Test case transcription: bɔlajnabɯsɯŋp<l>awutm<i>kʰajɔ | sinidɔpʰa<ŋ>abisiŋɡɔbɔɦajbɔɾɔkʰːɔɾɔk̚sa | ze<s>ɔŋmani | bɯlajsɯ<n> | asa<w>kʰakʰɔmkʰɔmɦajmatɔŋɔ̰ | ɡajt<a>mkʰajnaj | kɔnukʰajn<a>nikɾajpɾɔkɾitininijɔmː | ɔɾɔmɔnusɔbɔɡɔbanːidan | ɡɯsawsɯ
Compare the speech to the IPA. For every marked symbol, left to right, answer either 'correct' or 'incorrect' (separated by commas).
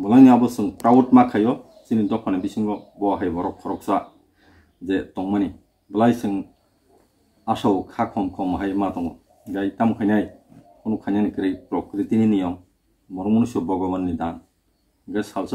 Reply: incorrect, incorrect, incorrect, incorrect, incorrect, correct, correct, correct